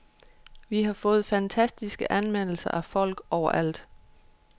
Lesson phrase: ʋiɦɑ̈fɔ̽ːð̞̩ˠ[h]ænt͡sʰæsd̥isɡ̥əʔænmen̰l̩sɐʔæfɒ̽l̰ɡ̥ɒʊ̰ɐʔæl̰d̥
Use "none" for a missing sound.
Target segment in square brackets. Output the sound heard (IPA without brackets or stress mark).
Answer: f